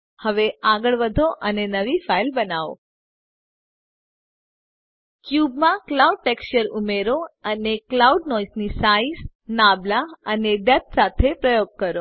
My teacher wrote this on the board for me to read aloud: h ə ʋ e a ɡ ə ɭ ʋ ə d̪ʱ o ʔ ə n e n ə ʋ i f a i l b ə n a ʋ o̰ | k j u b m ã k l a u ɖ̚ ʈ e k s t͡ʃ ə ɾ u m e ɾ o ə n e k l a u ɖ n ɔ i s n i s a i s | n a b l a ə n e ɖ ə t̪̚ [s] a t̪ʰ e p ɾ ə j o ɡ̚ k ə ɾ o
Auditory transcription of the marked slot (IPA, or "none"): s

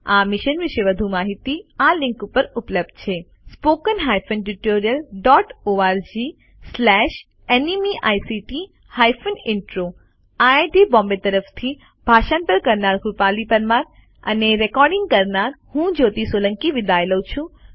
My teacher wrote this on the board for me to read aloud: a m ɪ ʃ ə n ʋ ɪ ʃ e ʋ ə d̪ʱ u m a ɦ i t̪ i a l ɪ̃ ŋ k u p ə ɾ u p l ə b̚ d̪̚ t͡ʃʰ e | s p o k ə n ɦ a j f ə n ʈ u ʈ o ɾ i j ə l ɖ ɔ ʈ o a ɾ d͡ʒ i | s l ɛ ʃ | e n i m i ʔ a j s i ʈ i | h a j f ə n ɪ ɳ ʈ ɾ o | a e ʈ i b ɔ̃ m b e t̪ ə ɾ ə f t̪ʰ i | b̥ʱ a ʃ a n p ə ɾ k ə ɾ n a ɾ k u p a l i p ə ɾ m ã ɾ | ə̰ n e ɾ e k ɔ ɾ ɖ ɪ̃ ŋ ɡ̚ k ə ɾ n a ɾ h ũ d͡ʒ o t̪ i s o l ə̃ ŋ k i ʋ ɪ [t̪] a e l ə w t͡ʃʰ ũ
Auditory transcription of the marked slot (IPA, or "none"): d̪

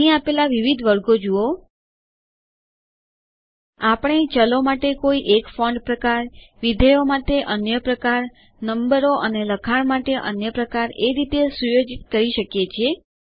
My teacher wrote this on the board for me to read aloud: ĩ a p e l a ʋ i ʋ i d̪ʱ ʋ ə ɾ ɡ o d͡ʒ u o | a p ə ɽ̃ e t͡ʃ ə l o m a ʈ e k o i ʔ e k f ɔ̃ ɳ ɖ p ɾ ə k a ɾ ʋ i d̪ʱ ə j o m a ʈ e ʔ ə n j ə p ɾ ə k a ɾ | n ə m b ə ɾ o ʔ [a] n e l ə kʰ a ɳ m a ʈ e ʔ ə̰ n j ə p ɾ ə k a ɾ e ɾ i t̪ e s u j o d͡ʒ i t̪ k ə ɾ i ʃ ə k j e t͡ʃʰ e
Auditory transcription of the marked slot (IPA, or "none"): ə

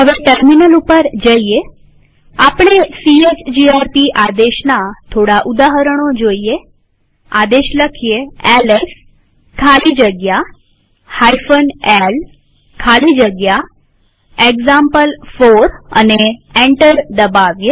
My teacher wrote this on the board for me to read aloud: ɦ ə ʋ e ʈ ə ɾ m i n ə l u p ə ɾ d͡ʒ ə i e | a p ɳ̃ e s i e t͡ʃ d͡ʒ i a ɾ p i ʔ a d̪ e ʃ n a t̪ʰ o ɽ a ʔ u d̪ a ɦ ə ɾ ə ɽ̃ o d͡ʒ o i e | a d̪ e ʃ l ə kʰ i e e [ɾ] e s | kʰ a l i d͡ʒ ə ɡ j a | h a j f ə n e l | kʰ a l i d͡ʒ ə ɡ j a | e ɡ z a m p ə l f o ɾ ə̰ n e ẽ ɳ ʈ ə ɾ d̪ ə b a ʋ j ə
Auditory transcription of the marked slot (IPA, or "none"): l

